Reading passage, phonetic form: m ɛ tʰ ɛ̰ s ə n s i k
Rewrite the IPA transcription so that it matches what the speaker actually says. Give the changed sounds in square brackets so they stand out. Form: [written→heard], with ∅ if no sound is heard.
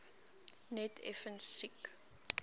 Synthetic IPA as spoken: [m→n] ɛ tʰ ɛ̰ [s→f] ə n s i k